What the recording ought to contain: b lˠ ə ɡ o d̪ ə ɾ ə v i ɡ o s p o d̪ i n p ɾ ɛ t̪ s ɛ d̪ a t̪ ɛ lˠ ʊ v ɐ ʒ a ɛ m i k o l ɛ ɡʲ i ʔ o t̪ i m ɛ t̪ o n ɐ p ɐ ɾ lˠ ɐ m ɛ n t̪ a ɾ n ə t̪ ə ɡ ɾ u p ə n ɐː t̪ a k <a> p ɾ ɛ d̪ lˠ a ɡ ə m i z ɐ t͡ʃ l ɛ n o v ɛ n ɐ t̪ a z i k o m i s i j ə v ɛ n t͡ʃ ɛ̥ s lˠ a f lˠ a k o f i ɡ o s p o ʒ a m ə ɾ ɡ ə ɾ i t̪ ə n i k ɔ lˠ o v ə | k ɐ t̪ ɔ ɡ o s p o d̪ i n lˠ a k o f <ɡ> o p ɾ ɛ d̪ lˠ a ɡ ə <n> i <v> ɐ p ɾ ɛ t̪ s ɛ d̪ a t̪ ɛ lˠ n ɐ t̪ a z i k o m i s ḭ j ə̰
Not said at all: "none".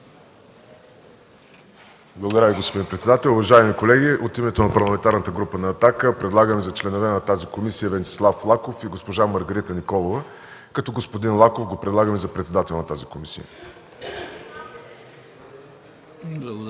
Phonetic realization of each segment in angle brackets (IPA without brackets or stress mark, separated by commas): ə, ɡ, m, z